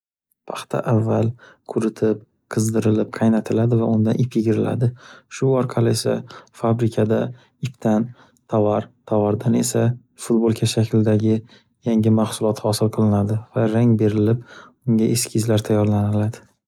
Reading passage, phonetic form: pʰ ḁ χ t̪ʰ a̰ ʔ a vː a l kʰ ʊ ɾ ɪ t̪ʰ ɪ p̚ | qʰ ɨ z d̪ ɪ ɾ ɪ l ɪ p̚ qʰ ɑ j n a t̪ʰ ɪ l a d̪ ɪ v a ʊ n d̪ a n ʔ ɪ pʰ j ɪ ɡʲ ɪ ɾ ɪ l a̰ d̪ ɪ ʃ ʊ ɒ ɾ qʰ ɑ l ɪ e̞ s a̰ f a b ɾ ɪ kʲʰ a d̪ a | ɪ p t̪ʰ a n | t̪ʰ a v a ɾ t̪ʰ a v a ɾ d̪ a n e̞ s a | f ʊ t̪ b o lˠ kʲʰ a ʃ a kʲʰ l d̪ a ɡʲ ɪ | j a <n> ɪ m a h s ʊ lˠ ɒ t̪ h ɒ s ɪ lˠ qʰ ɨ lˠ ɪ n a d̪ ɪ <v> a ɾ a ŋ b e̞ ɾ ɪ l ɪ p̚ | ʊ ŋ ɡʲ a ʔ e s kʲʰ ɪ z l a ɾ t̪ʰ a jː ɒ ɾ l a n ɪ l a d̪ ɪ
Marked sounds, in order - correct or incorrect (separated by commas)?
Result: incorrect, correct